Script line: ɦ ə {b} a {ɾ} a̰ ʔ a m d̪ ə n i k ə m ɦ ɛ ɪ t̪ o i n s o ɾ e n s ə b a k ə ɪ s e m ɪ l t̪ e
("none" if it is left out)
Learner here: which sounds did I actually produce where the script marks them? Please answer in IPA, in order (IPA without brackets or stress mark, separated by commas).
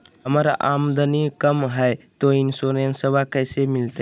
m, ɾ